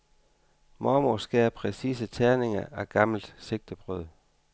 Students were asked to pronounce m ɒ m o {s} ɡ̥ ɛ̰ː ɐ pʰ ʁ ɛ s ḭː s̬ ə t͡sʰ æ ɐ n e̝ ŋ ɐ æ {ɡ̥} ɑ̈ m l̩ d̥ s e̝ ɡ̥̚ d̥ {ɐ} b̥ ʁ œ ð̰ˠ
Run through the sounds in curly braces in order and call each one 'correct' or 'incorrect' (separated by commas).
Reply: correct, correct, incorrect